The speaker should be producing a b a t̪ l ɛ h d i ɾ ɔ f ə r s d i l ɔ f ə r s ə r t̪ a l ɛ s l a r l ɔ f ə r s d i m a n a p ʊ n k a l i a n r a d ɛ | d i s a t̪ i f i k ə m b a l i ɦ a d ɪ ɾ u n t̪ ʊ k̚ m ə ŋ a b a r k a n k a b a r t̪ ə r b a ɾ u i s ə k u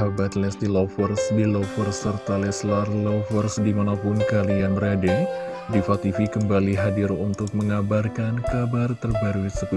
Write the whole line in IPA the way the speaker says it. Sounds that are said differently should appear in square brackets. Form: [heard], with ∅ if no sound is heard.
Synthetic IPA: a b a t̪ l ɛ [s] d i [l] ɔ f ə r s d i l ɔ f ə r s ə r t̪ a l ɛ s l a r l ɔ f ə r s d i m a n a p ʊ n k a l i a n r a d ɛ | d i [f] a t̪ i f i k ə m b a l i ɦ a d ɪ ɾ u n t̪ ʊ k̚ m ə ŋ a b a r k a n k a b a r t̪ ə r b a ɾ u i s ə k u